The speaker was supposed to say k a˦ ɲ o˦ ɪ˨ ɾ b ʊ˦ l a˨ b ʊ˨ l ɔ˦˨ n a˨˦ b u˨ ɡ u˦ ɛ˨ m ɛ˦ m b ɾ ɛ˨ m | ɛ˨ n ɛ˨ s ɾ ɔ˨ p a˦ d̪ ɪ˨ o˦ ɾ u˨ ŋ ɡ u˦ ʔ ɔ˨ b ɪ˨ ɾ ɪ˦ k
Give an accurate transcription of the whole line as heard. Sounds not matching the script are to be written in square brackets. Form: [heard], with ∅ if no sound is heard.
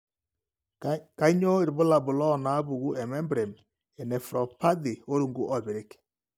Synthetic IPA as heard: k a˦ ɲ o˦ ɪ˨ ɾ b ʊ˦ l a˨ b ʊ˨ l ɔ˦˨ n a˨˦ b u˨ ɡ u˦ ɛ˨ m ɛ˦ m b ɾ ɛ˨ m | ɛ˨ n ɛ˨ [f] ɾ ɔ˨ p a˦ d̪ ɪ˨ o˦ ɾ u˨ ŋ ɡ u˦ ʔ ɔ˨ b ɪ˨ ɾ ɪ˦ k